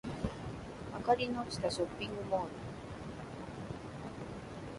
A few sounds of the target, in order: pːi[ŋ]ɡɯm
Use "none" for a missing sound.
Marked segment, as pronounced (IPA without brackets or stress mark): ŋ